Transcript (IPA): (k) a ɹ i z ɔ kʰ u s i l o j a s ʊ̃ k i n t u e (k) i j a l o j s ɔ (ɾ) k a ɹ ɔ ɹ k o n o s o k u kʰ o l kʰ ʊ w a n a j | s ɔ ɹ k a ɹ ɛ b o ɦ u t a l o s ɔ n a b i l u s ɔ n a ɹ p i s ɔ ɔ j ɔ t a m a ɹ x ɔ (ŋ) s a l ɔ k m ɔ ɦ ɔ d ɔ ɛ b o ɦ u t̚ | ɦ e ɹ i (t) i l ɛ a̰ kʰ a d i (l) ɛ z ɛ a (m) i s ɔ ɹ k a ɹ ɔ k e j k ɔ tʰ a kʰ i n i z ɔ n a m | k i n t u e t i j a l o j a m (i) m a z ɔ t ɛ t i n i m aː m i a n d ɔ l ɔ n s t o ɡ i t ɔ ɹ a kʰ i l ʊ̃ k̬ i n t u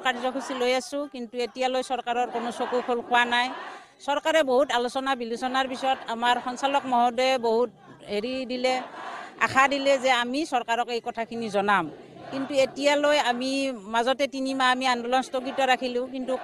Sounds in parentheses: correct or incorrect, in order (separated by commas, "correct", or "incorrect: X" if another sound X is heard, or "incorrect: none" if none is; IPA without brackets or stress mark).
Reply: correct, incorrect: t, incorrect: ɹ, incorrect: n, incorrect: d, correct, correct, correct